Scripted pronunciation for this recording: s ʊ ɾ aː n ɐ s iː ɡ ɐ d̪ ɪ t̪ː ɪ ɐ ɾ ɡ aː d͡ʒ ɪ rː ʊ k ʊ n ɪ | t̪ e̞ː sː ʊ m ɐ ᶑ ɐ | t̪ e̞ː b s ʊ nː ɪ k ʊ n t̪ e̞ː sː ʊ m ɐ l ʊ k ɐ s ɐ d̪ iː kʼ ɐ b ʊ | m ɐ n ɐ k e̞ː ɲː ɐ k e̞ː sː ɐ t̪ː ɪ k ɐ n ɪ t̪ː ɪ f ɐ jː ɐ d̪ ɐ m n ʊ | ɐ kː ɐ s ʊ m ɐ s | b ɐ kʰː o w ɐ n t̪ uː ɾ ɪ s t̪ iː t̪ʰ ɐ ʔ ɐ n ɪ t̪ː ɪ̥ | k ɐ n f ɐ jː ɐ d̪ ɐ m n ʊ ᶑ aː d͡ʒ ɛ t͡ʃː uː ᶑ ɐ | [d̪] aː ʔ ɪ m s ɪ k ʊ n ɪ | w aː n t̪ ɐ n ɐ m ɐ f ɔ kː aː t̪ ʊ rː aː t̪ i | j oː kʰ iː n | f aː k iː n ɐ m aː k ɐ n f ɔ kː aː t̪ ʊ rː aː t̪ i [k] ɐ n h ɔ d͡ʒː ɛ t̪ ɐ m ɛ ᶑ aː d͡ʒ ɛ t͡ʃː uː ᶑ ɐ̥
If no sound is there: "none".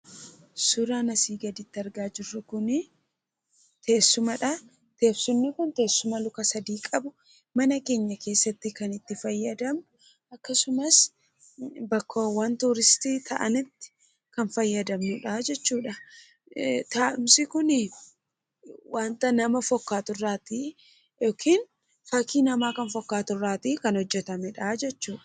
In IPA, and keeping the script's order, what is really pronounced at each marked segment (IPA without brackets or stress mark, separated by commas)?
t̪, k